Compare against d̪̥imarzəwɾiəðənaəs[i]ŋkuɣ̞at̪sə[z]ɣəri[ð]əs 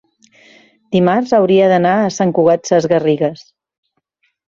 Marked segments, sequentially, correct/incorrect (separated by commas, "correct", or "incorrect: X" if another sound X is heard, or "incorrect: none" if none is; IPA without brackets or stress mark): incorrect: a, correct, incorrect: ɣ